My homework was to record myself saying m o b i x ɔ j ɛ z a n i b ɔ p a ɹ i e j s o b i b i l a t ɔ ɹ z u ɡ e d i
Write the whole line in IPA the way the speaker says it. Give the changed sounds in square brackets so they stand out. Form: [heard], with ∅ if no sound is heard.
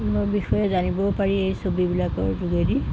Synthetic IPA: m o b i x ɔ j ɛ z a n i b ɔ p a ɹ i e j s o b i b i l a [k] ɔ ɹ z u ɡ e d i